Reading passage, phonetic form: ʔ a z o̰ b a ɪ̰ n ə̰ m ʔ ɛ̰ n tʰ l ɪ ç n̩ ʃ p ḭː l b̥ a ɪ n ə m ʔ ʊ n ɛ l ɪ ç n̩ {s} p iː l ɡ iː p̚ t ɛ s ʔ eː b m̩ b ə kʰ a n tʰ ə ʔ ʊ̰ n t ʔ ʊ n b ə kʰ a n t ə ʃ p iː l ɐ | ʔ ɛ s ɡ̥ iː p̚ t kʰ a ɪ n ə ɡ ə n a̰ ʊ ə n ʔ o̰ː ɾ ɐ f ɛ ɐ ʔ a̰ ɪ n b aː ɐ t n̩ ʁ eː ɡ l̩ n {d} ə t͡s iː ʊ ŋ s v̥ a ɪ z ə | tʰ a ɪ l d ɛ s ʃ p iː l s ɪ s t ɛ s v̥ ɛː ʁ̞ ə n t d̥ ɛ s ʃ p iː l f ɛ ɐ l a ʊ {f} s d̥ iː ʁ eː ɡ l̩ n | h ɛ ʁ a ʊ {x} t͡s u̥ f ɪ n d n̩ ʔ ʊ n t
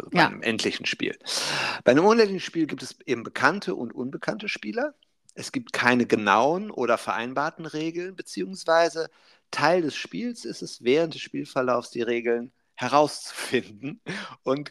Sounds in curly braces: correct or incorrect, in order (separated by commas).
incorrect, incorrect, correct, incorrect